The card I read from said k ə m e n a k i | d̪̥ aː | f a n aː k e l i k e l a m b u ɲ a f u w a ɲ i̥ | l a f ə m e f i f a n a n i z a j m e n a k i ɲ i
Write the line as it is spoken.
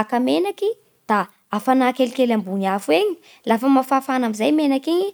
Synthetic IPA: k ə m e n a k i | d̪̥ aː | f a n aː k e l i k e l a m b u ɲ a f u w e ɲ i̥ | l a f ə m a f a f a n a m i z a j m e n a k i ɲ i